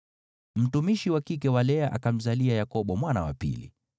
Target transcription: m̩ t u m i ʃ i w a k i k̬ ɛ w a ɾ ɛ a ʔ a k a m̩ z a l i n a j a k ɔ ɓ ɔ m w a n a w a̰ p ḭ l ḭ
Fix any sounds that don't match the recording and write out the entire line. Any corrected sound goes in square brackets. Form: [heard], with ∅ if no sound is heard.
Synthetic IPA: m̩ t u m i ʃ i w a k i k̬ ɛ w a [l] ɛ a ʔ a k a m̩ z a l i [∅] a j a k ɔ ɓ ɔ m w a n a w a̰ p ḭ l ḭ